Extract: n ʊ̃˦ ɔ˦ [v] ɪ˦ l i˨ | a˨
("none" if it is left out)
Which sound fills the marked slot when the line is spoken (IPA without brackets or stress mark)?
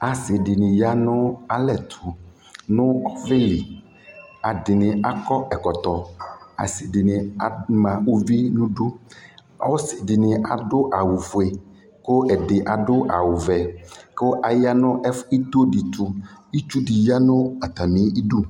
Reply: v